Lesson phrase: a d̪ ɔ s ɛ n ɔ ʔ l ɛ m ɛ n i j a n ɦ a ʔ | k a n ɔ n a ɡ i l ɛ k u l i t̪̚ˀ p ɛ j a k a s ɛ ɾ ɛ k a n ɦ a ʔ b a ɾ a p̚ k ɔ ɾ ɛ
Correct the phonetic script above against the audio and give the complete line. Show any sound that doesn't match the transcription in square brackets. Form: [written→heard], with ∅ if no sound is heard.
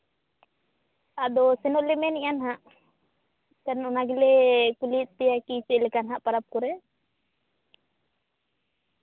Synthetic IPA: a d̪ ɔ s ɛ n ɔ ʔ l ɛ m ɛ n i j a n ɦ a ʔ | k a n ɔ n a ɡ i l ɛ k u l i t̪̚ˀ p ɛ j a k [a→i] s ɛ [ɾ→l] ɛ k a n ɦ a ʔ [b→p] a ɾ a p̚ k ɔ ɾ ɛ